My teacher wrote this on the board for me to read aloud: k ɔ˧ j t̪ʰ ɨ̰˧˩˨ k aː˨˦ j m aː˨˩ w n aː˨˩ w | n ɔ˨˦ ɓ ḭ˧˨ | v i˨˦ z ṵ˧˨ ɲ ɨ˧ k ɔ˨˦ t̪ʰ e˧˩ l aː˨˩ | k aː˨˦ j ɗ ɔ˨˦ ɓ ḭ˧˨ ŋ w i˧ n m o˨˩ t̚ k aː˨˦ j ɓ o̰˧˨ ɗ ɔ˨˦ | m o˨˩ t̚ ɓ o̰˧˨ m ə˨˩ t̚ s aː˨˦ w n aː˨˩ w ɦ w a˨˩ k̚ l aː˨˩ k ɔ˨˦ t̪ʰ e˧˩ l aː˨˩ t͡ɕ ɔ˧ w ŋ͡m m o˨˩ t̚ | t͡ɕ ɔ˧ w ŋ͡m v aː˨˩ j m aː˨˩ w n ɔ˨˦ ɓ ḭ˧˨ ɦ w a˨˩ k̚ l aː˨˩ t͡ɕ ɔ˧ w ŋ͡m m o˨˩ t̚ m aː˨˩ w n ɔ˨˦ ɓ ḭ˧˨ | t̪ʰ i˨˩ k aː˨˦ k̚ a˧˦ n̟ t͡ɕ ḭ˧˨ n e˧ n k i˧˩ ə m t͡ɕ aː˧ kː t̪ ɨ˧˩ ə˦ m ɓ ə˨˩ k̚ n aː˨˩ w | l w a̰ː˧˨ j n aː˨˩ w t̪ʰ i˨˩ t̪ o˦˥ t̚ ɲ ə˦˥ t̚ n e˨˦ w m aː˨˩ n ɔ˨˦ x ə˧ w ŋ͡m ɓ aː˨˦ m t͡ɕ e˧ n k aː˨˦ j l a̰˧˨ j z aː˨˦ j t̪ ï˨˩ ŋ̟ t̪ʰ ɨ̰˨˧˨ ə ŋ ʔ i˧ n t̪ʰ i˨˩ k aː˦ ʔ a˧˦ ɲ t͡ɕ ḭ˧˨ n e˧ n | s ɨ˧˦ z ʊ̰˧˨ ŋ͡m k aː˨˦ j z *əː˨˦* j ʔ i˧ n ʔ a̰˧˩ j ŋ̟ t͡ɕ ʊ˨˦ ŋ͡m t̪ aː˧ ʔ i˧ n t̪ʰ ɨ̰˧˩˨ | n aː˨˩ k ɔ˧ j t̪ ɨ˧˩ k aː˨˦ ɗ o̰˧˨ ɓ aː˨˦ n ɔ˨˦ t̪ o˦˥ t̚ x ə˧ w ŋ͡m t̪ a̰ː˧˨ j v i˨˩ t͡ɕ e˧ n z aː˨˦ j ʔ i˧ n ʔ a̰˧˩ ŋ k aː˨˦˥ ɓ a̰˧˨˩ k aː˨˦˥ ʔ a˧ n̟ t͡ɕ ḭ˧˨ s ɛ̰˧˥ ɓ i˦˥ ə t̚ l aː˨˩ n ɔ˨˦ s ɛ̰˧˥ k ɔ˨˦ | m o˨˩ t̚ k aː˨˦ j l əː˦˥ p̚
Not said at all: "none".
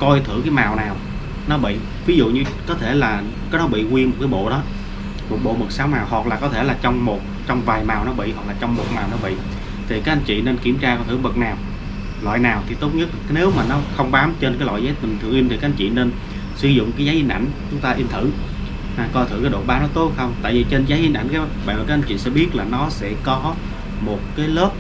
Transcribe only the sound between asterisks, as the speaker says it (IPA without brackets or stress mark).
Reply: aː˨˦